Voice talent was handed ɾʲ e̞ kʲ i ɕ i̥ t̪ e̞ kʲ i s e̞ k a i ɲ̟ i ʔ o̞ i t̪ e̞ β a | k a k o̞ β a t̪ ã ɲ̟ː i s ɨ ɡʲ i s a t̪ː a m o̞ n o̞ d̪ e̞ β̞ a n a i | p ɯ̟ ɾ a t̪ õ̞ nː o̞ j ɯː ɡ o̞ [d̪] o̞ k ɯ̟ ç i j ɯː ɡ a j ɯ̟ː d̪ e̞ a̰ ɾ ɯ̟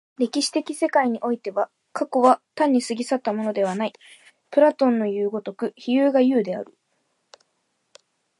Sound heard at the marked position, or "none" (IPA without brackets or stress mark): t̪